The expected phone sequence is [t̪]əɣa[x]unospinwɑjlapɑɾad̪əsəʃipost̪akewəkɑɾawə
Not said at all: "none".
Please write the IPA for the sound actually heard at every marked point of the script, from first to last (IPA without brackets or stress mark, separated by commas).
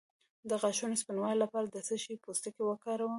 d̪, ʃ